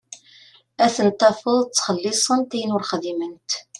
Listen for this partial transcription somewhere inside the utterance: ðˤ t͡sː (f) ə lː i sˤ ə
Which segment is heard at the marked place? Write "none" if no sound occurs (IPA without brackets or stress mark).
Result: χ